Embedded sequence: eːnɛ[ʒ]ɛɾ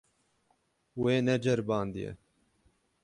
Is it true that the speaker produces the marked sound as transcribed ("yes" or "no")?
no